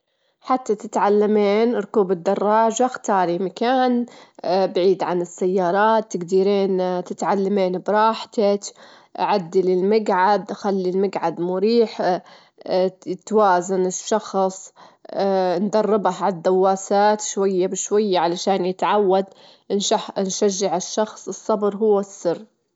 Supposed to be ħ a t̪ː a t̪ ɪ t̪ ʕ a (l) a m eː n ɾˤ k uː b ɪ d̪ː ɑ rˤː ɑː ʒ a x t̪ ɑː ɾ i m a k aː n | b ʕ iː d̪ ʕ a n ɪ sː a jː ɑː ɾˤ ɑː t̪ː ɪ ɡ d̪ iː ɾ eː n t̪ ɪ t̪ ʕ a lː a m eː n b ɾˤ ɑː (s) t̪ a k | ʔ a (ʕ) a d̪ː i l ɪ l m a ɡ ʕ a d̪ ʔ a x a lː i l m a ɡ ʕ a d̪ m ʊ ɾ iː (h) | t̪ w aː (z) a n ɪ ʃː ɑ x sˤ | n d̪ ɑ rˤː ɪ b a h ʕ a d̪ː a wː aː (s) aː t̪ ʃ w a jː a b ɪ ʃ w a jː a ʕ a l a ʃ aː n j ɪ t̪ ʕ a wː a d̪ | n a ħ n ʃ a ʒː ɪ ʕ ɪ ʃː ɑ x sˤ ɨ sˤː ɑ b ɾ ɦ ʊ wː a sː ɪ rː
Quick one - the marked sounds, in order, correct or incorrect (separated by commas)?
incorrect, incorrect, correct, incorrect, correct, correct